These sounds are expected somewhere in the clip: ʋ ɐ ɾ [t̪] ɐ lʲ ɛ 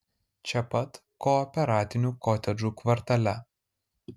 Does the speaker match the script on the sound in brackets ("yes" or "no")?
yes